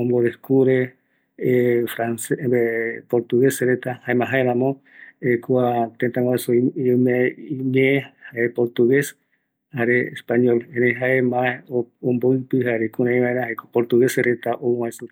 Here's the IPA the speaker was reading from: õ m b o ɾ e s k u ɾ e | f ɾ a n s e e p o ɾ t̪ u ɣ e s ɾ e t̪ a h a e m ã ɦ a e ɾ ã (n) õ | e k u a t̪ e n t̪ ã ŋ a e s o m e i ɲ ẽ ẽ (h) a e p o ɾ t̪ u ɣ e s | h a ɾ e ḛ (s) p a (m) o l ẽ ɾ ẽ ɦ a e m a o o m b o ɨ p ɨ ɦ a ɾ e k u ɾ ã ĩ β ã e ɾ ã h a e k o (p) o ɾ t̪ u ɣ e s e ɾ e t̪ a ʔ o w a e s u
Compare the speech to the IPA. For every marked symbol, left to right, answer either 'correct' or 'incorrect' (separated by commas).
incorrect, correct, correct, incorrect, correct